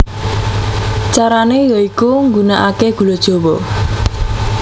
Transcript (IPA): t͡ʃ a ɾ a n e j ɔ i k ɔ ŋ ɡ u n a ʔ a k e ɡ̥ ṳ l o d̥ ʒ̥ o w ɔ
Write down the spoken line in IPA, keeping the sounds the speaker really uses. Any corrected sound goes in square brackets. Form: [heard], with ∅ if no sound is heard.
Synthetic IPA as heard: t͡ʃ a ɾ a n e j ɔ i k [u] ŋ ɡ u n a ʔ a k e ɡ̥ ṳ l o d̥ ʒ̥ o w ɔ